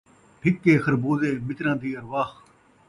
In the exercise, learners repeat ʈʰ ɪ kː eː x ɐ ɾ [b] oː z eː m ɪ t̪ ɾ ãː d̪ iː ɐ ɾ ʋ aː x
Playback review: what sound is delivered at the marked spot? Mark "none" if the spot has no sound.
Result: b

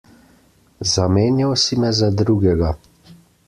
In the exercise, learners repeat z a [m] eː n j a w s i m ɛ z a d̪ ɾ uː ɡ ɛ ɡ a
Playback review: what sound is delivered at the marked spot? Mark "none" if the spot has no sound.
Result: m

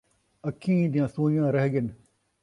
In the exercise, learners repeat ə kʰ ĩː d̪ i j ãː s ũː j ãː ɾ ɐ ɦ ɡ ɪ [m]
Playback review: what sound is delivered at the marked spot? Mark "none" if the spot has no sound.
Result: n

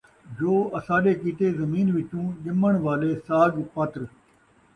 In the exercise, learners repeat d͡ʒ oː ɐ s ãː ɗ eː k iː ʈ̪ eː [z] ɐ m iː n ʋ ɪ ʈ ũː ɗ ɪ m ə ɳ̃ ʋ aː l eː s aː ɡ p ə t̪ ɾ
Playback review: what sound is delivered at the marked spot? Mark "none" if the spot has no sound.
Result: z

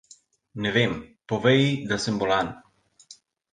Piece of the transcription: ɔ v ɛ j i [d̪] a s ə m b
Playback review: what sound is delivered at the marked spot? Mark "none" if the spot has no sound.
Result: d̪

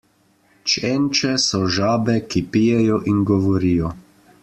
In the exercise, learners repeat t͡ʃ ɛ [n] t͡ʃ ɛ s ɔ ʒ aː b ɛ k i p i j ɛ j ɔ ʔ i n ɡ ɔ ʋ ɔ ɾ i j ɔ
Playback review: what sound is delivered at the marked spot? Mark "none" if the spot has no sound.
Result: n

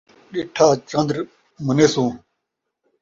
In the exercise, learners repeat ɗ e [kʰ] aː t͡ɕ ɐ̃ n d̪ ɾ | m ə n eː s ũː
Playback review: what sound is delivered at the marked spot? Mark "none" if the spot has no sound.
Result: ʈʰ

